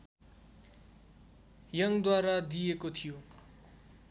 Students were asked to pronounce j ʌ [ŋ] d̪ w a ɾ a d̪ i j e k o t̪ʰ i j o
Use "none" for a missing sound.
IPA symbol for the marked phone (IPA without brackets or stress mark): ŋ